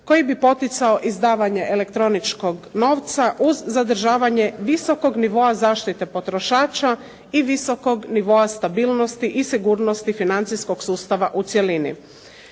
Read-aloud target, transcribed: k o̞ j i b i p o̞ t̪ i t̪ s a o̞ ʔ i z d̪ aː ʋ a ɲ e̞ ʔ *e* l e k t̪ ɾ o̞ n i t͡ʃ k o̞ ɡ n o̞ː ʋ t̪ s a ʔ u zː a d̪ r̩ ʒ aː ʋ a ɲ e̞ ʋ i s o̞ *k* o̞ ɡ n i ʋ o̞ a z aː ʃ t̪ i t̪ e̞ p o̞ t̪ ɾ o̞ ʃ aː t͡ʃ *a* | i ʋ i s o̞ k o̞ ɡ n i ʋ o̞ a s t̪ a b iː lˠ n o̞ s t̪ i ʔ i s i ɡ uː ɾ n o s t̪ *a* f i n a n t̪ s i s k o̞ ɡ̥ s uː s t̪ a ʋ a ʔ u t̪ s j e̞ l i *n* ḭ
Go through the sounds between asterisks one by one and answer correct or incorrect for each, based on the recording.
correct, correct, correct, incorrect, correct

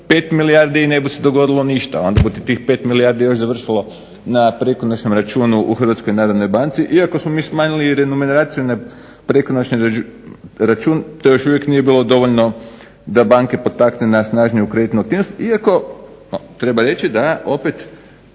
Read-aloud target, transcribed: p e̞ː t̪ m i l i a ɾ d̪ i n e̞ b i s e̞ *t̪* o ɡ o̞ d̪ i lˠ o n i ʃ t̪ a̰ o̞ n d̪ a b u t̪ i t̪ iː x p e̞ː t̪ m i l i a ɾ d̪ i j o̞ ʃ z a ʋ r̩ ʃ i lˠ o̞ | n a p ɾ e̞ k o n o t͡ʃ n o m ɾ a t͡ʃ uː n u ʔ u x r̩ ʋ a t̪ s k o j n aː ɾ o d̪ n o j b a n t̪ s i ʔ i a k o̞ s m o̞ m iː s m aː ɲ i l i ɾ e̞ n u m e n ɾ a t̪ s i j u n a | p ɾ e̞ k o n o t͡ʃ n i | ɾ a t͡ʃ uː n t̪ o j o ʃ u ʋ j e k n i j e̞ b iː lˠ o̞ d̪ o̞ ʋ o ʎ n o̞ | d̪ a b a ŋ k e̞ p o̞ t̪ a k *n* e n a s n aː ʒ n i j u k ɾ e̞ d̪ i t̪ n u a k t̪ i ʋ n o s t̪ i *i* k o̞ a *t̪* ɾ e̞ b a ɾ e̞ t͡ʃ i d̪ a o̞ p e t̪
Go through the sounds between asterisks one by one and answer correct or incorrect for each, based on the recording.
incorrect, correct, incorrect, correct

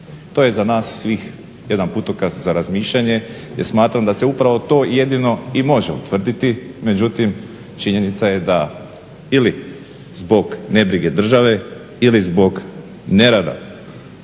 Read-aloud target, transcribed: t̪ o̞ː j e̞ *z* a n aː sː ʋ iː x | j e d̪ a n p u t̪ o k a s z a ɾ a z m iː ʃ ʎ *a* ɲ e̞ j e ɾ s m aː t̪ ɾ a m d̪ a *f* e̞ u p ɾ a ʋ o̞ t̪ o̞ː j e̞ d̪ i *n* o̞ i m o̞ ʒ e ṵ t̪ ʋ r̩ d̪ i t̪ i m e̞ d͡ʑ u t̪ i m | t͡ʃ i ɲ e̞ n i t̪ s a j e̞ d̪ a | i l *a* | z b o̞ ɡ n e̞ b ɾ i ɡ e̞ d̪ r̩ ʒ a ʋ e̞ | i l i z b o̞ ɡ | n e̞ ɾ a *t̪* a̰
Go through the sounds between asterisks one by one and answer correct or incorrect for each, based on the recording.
correct, correct, incorrect, correct, incorrect, incorrect

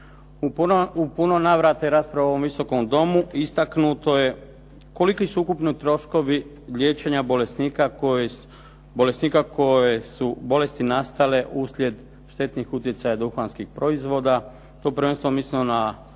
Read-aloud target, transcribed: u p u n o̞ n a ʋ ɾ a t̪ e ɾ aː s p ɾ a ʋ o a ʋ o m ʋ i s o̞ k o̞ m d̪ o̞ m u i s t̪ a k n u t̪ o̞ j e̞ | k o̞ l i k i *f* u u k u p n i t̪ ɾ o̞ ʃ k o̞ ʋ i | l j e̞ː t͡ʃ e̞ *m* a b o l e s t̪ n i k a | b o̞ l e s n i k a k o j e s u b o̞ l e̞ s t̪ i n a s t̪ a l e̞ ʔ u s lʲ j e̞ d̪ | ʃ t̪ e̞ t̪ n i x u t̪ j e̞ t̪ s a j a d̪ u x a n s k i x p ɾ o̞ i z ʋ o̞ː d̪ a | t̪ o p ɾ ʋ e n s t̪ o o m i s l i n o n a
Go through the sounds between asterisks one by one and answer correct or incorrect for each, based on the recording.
incorrect, incorrect

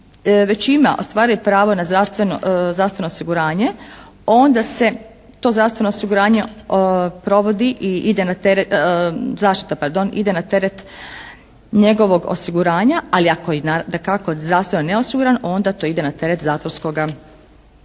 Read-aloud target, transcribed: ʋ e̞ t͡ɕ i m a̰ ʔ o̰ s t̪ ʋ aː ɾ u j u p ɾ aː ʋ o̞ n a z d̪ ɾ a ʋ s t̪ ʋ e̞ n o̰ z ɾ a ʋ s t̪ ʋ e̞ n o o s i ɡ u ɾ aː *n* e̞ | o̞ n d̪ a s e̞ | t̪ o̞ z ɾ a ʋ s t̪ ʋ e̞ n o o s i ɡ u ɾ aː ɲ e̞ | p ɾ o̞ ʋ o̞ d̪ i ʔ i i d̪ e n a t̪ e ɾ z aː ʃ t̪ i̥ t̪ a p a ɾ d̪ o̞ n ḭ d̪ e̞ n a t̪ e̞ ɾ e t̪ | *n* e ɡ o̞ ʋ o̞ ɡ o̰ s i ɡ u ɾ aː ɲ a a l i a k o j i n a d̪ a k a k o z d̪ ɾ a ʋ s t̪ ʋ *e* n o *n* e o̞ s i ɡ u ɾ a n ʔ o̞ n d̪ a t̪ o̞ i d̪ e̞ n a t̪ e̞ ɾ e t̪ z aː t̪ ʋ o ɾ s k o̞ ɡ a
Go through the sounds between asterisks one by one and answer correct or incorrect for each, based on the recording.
incorrect, incorrect, correct, correct

